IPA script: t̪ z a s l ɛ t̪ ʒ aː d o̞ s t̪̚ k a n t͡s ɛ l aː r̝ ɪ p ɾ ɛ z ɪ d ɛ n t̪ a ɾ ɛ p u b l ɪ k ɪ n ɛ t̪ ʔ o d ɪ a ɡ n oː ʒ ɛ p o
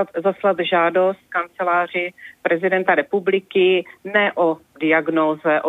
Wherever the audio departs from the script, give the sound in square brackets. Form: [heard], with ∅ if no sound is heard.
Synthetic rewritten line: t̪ z a s l [a] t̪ ʒ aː d o̞ s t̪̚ k a n t͡s ɛ l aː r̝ ɪ p ɾ ɛ z ɪ d ɛ n t̪ a ɾ ɛ p u b l ɪ k ɪ n ɛ [∅] ʔ o d ɪ a ɡ n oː [z] ɛ [ʔ] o